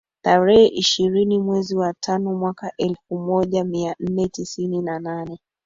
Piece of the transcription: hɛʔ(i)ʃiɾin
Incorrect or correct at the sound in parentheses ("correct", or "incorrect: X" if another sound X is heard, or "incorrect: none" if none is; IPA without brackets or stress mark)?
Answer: correct